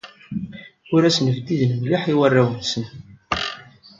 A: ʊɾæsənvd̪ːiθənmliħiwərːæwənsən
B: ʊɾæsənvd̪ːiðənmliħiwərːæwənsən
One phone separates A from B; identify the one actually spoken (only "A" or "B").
B